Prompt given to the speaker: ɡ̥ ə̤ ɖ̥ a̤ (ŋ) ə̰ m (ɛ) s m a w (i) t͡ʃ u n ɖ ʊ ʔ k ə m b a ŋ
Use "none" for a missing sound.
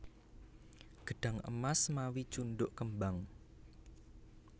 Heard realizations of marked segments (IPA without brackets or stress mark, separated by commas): ŋ, a, i